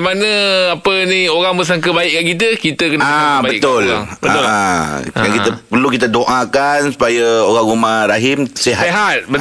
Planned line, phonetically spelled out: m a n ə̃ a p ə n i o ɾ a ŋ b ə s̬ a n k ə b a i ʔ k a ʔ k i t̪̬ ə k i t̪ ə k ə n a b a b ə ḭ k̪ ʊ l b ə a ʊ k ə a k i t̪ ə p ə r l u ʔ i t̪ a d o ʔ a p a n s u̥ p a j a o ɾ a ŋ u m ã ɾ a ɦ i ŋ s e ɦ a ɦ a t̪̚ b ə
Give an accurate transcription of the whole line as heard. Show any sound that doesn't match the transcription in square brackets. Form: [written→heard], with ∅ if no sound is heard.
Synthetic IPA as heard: m a n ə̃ a p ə n i o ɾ a ŋ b ə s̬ a [n→ŋ] k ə b a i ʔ k a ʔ k i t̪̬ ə k i t̪ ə k ə n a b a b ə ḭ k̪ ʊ l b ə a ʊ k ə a k i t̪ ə p ə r l u [ʔ→k] i t̪ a d o ʔ a [p→k] a n s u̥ p a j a o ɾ a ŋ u m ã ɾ a ɦ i [ŋ→m] s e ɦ a ɦ a t̪̚ b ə